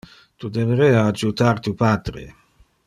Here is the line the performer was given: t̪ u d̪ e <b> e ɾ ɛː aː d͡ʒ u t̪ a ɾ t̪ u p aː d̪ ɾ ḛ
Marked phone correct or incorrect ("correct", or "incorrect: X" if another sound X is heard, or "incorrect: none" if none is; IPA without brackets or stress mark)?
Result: incorrect: v